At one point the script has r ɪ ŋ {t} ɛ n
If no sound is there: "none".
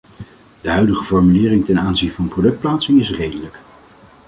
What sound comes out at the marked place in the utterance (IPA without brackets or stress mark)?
t